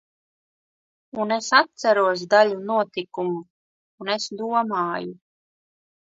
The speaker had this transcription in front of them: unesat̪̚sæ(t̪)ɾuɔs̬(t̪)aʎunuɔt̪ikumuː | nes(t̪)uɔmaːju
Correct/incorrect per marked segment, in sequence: incorrect, incorrect, incorrect

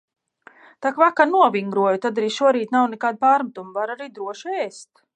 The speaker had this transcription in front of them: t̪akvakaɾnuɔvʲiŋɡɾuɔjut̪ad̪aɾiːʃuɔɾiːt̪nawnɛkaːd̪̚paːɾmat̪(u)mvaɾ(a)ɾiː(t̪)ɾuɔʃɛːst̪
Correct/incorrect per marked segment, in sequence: correct, correct, incorrect

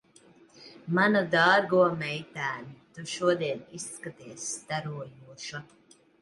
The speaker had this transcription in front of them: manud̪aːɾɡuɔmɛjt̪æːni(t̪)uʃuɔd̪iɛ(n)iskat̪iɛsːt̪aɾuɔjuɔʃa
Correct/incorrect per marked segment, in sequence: correct, correct

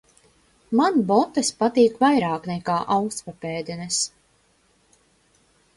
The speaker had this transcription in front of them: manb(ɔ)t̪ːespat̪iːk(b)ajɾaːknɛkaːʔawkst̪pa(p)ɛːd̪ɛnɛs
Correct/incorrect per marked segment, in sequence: correct, incorrect, correct

